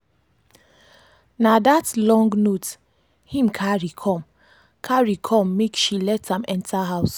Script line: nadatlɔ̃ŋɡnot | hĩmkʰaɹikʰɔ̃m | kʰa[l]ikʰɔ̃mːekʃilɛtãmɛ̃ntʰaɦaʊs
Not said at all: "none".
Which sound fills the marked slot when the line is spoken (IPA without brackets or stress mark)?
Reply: ɹ